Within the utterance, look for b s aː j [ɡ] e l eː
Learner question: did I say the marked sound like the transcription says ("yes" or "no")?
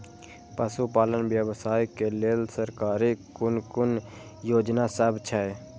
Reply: no